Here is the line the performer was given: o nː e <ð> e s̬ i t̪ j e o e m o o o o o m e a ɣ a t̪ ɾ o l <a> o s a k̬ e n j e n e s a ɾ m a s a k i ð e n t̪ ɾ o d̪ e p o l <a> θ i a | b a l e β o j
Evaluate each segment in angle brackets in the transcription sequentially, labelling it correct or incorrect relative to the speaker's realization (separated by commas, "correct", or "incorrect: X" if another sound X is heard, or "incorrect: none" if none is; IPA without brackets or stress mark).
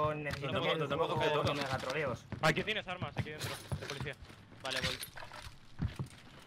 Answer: incorrect: θ, incorrect: e, incorrect: i